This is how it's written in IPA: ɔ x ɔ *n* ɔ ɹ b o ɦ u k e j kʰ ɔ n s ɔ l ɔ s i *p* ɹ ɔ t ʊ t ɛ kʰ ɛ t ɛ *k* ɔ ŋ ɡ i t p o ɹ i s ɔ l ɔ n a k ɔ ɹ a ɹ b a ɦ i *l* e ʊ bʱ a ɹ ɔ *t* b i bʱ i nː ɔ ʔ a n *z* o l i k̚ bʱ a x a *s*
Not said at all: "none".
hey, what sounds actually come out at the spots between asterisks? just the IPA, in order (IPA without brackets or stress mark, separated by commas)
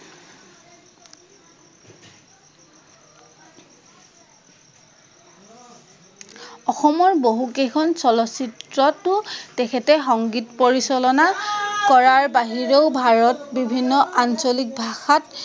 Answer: m, t, x, ɹ, t, s, t